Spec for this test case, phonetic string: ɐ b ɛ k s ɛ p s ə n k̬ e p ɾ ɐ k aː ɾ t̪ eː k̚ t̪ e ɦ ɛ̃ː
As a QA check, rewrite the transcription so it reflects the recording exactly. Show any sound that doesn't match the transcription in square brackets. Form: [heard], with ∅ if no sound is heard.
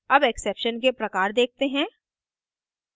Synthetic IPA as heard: ɐ b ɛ k s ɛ p [ʃ] ə n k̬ e p ɾ ɐ k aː ɾ [d̪] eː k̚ t̪ e ɦ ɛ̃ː